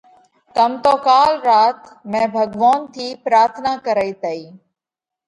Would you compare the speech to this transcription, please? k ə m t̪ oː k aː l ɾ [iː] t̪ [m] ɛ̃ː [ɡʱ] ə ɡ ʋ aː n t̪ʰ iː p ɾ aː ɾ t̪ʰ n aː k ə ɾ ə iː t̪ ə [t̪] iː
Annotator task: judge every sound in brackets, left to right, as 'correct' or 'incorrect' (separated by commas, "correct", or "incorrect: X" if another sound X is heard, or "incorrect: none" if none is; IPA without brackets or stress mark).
incorrect: aː, correct, incorrect: bʱ, incorrect: none